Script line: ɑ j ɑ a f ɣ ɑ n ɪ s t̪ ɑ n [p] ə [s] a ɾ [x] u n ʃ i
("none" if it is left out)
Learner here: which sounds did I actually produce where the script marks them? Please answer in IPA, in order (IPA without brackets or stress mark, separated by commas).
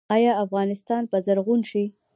p, z, ɣ